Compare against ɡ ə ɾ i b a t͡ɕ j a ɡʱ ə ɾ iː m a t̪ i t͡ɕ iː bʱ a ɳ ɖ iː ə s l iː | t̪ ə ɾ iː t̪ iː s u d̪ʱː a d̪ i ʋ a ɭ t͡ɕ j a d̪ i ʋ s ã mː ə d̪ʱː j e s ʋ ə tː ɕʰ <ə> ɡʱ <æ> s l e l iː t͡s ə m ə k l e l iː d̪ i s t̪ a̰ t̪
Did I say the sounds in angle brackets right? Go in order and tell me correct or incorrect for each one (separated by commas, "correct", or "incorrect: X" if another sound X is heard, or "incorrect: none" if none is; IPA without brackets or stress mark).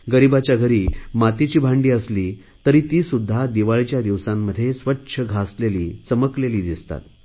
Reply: correct, incorrect: a